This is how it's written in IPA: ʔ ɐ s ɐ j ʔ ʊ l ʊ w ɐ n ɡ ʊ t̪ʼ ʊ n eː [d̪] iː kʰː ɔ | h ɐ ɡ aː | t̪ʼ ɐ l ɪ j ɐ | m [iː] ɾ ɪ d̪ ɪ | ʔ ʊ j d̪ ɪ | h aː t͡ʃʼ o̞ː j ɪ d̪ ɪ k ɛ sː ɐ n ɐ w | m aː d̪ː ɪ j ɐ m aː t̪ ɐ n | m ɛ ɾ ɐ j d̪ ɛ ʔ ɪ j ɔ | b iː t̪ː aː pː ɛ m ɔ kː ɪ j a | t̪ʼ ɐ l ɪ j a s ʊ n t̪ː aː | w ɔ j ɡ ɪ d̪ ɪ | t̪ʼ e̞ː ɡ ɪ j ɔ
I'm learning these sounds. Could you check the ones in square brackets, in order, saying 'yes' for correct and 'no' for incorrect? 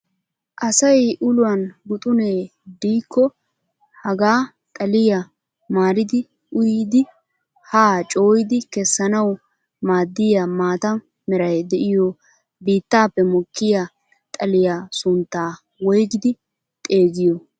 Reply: yes, no

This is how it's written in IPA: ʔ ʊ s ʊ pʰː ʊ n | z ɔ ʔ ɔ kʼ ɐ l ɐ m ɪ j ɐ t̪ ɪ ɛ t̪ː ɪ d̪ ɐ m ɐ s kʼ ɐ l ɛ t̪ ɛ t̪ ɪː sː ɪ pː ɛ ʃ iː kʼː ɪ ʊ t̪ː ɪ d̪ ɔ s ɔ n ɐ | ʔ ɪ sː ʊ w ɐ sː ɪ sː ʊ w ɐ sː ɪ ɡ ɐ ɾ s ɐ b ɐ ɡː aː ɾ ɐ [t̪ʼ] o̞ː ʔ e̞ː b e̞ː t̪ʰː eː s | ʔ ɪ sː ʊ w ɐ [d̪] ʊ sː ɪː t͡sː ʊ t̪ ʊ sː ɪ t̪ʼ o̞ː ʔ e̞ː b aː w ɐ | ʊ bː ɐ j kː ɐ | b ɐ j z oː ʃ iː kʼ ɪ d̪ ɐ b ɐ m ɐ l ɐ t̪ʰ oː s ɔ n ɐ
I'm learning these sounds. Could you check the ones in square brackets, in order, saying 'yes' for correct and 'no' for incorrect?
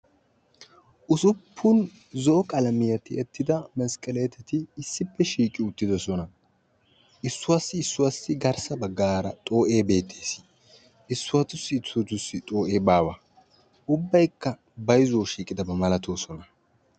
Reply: yes, no

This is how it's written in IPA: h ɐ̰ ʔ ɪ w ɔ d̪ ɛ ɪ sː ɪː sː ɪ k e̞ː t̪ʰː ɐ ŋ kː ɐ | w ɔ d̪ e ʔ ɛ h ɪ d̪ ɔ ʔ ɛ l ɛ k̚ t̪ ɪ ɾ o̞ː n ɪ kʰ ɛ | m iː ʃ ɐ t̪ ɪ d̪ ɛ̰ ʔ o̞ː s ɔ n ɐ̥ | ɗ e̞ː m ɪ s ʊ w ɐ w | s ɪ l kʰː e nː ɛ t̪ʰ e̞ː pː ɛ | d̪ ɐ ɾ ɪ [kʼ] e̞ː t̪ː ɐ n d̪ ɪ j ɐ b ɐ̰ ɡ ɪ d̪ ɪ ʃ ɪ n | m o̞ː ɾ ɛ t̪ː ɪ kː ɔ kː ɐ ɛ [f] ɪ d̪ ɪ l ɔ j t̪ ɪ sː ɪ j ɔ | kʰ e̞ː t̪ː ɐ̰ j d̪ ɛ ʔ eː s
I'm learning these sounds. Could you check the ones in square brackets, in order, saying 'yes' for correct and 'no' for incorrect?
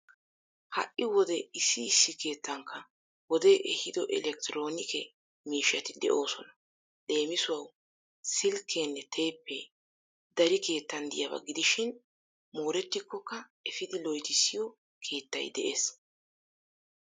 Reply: no, yes

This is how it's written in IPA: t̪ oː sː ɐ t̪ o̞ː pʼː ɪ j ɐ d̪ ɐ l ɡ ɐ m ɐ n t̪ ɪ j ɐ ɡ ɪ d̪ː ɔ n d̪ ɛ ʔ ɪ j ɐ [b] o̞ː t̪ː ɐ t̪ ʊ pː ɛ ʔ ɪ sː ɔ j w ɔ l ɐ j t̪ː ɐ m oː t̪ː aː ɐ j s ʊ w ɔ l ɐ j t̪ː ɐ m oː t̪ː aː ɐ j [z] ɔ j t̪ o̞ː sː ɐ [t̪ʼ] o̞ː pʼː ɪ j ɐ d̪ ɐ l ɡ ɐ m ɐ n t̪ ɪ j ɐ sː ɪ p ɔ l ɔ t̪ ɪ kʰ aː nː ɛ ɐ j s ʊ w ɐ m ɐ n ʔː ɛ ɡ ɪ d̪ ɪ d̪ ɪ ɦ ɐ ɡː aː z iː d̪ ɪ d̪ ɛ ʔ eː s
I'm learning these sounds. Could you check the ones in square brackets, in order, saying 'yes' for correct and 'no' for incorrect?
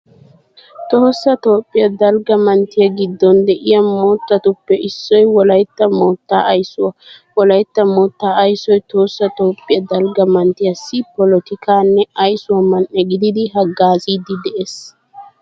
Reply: no, no, no

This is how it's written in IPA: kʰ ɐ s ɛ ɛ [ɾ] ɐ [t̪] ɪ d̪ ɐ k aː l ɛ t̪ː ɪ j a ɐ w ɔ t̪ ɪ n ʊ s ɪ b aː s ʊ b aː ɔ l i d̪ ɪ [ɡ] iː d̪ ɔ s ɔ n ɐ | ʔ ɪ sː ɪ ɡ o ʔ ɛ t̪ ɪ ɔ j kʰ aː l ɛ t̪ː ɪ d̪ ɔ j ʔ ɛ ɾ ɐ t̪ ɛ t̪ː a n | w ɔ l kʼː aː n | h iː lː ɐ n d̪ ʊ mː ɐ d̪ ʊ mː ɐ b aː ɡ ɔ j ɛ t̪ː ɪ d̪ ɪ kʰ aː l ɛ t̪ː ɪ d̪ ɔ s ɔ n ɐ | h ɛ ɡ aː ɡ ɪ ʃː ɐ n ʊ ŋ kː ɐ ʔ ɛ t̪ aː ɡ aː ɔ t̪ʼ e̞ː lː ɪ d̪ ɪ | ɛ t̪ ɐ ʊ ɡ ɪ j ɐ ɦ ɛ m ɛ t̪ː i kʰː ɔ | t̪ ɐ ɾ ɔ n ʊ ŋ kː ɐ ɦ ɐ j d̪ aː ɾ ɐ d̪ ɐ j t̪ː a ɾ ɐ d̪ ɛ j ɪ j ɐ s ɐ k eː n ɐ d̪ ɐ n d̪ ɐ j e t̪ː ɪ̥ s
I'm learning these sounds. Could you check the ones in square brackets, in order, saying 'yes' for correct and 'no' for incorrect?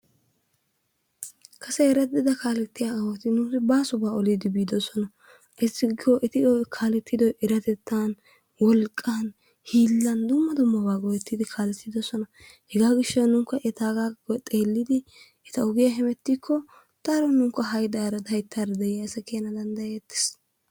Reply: yes, no, no

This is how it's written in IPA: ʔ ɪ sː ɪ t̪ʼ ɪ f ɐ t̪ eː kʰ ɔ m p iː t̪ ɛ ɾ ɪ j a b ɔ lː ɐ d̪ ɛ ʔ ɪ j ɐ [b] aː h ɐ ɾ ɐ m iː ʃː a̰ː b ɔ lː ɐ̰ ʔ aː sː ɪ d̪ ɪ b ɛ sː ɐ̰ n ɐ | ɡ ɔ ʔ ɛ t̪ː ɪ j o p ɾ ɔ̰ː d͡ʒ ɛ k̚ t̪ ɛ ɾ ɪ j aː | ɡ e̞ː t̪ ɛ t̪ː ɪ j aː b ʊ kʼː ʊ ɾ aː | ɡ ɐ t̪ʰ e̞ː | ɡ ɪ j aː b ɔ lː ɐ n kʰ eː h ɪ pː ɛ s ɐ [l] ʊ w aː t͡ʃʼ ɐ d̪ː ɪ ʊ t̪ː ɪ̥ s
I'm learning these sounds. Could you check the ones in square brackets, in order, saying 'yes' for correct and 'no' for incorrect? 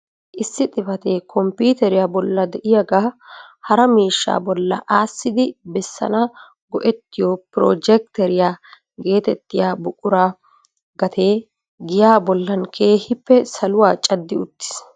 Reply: no, yes

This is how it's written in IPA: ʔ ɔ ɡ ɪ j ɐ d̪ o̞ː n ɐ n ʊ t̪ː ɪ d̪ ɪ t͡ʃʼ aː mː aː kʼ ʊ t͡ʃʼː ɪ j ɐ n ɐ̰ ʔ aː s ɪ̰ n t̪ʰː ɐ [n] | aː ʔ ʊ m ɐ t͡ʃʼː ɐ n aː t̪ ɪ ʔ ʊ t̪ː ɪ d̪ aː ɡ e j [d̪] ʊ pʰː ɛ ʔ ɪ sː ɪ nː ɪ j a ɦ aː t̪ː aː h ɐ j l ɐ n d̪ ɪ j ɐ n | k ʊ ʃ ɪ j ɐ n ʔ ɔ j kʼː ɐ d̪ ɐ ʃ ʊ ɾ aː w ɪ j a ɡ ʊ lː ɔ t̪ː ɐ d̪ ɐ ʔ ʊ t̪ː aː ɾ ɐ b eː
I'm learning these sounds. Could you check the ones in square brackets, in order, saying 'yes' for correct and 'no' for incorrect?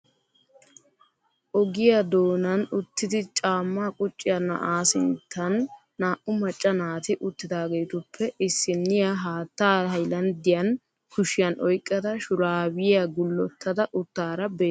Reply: no, no

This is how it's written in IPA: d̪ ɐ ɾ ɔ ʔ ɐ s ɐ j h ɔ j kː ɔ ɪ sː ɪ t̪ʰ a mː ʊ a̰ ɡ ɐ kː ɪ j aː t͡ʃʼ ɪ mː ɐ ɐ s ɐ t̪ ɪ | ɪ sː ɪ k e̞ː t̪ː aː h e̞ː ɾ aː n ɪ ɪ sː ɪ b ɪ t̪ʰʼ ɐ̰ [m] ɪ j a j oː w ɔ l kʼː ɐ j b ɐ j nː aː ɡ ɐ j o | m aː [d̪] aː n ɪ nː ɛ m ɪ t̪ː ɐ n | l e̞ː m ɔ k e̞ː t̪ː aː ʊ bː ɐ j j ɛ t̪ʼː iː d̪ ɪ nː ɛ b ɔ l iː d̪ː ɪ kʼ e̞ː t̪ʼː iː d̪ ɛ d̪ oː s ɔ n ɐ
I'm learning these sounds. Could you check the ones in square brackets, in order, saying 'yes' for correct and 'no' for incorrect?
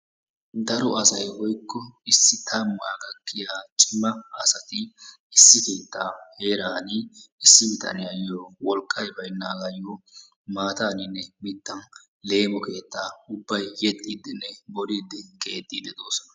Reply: no, no

